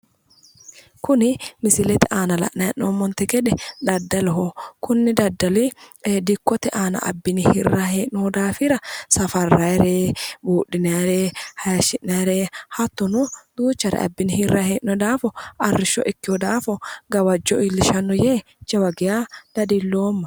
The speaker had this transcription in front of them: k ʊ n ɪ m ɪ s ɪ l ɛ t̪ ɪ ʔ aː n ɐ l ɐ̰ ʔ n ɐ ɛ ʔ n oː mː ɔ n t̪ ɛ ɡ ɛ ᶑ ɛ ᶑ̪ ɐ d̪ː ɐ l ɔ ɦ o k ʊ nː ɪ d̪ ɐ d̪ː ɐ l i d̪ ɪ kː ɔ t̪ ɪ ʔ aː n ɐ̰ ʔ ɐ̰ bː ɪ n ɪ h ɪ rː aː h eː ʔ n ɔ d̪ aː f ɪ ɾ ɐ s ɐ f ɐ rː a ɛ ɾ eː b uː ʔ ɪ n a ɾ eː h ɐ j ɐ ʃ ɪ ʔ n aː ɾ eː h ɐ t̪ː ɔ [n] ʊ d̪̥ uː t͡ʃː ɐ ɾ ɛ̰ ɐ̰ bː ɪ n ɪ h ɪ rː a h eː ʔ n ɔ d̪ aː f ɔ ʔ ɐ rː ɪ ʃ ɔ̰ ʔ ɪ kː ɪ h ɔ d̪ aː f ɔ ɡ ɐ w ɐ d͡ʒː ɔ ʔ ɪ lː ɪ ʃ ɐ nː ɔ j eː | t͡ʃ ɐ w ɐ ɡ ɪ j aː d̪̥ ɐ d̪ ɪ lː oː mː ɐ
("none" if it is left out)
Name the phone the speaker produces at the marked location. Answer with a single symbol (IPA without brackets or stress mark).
n